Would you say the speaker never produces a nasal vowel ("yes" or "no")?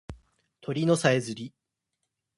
yes